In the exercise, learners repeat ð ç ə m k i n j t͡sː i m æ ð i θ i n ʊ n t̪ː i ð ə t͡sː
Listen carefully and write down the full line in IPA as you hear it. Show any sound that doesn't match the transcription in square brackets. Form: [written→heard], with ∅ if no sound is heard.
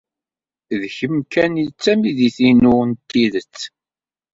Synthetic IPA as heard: ð ç ə m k [i→æ] n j t͡sː [i→æ] m [æ→i] ð i θ i n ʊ n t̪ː i ð ə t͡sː